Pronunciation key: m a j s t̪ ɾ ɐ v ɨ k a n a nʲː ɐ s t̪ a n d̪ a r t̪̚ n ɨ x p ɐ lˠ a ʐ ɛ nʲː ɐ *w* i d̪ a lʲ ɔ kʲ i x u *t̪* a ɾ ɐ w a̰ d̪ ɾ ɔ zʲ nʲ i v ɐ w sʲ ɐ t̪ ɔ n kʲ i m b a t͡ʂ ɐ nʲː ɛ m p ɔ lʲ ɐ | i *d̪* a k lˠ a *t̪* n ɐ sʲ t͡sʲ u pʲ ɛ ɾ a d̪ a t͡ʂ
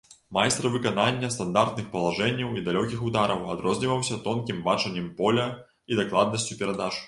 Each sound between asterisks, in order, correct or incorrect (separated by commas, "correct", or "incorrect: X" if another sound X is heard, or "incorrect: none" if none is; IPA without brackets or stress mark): correct, incorrect: d̪, correct, incorrect: d̪